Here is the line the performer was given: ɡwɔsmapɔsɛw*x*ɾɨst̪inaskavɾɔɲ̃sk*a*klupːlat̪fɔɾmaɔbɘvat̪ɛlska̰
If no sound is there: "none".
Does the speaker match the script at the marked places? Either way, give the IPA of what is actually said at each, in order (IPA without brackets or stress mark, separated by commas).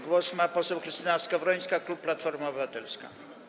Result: x, a